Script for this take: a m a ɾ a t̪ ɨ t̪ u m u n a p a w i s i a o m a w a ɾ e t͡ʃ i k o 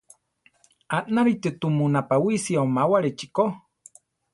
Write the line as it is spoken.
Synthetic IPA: a n a ɾ i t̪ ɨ t̪ u m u n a p a w i s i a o m a w a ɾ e t͡ʃ i k o